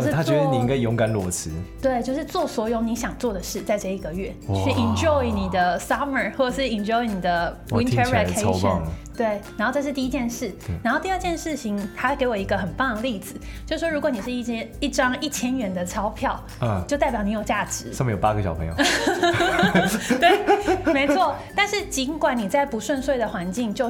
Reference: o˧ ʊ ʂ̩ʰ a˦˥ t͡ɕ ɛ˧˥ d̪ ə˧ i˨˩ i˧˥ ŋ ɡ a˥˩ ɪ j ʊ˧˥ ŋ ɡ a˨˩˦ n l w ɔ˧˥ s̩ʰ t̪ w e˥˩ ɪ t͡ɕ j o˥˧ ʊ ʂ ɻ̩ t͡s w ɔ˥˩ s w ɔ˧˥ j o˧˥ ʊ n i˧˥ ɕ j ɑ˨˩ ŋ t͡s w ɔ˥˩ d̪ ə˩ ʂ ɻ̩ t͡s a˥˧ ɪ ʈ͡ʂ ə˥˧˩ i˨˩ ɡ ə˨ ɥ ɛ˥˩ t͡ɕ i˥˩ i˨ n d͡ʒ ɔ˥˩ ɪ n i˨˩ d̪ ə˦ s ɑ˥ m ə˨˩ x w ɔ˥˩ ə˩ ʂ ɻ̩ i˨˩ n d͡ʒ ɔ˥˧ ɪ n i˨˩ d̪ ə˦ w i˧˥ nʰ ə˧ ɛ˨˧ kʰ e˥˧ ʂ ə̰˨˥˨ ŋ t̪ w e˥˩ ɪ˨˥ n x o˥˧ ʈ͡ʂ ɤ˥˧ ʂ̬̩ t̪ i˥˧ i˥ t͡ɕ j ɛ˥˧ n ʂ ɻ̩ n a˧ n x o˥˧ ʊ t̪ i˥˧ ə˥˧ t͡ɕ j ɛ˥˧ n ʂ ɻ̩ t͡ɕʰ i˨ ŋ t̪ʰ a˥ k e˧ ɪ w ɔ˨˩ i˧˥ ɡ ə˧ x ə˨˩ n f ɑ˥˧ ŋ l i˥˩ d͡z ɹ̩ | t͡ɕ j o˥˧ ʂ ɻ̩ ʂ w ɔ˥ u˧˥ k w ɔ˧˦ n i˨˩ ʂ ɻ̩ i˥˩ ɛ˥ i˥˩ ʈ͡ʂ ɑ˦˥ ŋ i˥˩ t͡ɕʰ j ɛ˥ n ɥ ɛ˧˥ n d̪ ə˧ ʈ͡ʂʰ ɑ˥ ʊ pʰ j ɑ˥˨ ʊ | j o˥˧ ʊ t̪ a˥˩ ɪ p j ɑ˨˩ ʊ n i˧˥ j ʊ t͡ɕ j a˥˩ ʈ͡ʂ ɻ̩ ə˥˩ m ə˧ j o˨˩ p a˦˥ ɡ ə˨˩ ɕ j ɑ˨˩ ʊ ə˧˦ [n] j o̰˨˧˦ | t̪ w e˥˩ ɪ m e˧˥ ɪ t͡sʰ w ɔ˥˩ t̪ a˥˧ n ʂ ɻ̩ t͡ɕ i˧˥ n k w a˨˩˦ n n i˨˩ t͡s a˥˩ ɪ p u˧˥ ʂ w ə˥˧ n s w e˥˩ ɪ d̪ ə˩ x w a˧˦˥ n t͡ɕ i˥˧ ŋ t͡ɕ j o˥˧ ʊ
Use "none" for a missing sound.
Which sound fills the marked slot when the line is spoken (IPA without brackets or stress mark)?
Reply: ŋ